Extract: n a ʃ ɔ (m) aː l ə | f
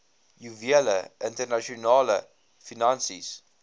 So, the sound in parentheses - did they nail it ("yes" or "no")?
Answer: no